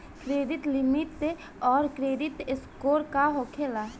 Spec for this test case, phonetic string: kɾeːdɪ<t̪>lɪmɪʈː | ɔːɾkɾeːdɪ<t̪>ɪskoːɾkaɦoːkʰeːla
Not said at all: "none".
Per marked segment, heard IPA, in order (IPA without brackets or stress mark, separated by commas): t̪, t̪